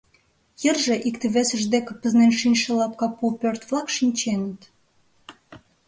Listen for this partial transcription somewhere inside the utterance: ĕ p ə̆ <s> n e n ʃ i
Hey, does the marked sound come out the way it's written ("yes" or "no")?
no